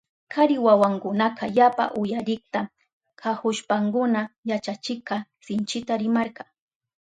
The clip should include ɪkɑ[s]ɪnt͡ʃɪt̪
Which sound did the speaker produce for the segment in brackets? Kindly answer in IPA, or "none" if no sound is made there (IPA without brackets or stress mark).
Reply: s